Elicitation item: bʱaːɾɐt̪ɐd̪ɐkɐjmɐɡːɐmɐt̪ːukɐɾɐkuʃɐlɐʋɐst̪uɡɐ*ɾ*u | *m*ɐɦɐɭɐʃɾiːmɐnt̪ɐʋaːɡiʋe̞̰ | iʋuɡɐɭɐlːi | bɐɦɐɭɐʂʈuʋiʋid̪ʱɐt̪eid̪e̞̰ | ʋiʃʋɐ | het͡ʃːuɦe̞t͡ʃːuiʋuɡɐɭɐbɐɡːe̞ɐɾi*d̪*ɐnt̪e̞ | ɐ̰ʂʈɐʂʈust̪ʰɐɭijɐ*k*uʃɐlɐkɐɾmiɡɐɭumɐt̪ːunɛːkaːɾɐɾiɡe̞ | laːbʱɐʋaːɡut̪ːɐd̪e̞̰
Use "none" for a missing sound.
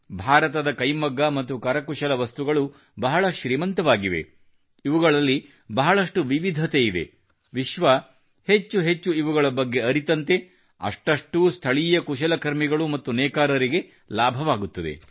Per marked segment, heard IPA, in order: ɭ, b, t̪, k

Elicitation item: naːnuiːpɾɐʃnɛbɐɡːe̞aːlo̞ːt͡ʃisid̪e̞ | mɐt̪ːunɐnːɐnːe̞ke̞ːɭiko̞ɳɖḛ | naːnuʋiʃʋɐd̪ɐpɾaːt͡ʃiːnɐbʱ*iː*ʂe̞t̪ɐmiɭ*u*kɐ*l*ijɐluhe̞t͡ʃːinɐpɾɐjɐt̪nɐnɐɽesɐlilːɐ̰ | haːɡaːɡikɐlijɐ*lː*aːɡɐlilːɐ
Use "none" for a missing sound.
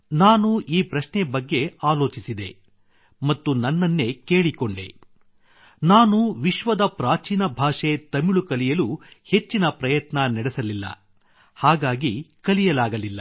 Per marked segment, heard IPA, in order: aː, u, l, l

